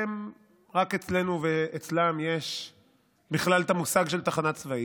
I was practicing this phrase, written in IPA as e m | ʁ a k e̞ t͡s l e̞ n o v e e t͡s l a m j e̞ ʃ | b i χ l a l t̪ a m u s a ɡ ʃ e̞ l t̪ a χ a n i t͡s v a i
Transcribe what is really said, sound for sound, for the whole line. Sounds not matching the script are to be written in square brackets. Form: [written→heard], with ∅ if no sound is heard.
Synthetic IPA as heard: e m | ʁ a k e̞ t͡s l e̞ n [o→u] v e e t͡s l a m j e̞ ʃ | b i χ l a l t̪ a m u s a ɡ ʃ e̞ l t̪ a χ a n [i→a] t͡s v a i